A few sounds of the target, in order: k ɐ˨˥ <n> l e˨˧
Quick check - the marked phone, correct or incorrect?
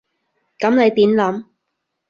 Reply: incorrect